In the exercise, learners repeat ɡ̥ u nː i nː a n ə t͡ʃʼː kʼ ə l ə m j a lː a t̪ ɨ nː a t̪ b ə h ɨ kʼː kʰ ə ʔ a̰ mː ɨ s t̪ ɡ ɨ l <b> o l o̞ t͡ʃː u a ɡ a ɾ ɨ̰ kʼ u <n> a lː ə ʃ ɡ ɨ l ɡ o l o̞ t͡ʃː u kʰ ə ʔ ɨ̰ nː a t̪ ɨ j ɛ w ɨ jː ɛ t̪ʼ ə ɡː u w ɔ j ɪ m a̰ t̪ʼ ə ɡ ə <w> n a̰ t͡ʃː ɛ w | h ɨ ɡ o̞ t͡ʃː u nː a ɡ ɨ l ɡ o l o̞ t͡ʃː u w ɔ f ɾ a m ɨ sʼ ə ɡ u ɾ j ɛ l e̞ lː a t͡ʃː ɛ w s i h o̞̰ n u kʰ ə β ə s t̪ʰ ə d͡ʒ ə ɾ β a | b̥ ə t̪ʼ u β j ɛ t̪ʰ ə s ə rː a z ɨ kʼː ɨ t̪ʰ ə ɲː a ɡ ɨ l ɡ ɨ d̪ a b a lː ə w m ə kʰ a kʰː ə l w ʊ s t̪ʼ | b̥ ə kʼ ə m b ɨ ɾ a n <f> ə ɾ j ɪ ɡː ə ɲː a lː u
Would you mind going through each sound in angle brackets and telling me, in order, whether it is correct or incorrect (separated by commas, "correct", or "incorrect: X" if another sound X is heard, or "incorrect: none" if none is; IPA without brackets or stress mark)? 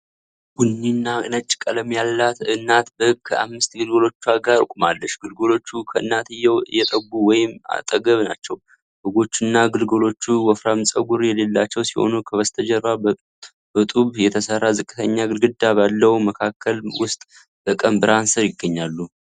incorrect: ɡ, incorrect: m, incorrect: β, incorrect: s